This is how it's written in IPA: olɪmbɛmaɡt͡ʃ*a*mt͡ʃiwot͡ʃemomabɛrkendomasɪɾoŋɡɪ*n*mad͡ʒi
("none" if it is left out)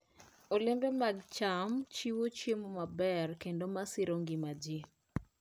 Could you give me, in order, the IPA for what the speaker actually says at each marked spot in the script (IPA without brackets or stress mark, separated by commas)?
a, none